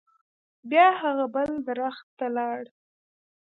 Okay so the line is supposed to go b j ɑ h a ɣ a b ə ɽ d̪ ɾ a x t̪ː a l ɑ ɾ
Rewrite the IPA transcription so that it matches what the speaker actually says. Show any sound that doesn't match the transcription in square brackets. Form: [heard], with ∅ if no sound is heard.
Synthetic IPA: b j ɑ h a ɣ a b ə [l] d̪ ɾ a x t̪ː a l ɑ [ɽ]